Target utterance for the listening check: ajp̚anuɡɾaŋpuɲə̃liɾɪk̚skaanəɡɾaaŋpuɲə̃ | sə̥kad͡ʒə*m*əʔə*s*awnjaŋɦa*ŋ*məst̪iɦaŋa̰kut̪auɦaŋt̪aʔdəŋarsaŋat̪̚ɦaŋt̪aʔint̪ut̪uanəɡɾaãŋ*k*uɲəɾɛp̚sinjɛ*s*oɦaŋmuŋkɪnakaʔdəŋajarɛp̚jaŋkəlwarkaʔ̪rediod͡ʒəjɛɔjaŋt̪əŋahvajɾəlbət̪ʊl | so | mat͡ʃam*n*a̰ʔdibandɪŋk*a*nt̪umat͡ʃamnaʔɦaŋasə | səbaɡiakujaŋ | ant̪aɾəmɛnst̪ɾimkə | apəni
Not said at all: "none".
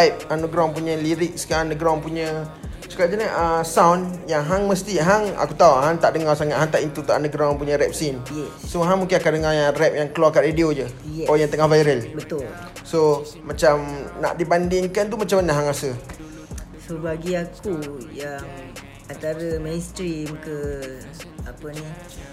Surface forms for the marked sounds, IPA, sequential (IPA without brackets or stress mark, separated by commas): n, s, ŋ, p, s, n, a